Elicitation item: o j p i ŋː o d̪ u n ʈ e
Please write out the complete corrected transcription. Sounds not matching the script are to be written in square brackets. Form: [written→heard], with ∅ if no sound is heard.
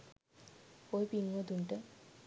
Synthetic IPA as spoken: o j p i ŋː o d̪ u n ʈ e